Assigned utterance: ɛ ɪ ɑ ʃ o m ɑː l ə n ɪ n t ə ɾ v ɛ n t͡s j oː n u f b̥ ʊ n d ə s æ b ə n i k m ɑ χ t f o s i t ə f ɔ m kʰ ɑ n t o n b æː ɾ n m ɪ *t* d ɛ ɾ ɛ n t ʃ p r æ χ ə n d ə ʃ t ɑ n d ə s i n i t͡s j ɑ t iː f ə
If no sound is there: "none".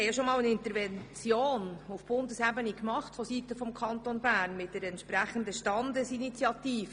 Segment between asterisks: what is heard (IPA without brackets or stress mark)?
t